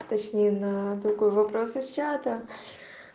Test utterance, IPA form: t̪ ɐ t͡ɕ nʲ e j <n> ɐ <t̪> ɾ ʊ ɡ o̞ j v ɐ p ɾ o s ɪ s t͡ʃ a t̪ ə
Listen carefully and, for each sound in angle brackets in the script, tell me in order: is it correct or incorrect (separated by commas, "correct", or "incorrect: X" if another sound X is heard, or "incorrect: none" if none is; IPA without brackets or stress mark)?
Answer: correct, incorrect: d̪